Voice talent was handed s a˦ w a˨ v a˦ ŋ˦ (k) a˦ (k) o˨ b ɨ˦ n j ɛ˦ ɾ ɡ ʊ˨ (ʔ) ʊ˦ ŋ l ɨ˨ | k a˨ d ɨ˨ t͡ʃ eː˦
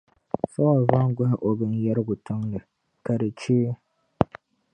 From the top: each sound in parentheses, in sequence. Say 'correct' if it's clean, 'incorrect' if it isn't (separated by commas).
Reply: incorrect, incorrect, incorrect